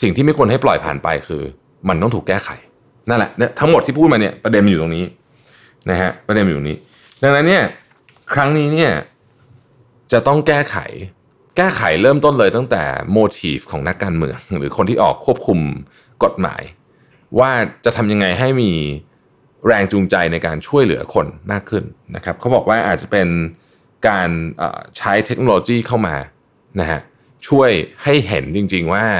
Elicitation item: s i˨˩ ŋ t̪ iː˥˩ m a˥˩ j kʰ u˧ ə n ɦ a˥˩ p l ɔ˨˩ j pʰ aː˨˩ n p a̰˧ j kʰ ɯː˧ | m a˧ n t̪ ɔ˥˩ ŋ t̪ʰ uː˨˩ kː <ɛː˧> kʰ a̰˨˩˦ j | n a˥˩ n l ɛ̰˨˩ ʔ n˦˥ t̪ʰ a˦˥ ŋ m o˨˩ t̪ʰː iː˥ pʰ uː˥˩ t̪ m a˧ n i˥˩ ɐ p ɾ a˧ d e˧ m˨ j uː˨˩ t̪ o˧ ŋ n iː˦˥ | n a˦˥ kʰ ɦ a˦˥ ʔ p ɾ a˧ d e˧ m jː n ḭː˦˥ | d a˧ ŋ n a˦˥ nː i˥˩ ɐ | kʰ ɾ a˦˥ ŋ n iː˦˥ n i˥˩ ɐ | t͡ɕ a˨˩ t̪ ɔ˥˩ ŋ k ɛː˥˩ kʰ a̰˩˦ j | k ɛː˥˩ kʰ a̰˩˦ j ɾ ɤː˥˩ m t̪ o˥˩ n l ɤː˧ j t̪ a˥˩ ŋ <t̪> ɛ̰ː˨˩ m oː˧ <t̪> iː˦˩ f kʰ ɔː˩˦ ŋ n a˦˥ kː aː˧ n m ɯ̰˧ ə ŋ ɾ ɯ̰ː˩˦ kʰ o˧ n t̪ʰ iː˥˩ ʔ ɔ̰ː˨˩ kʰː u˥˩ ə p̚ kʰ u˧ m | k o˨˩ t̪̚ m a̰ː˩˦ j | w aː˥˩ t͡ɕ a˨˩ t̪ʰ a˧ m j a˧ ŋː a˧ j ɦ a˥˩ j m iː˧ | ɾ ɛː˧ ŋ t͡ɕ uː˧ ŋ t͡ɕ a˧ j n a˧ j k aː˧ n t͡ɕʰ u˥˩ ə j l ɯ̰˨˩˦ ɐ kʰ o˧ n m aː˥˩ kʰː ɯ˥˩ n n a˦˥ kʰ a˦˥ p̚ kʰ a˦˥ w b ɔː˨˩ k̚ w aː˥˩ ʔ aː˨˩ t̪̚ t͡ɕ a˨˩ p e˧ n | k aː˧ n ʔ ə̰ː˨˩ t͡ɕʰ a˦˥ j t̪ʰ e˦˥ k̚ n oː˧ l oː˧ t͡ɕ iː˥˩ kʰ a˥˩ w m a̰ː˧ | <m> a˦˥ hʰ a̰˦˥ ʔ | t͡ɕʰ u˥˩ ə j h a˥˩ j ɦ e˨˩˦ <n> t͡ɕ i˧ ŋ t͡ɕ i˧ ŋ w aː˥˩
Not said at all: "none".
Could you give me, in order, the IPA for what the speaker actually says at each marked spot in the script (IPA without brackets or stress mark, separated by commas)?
ɛː˥˩, t̪, t̪ʰ, n, n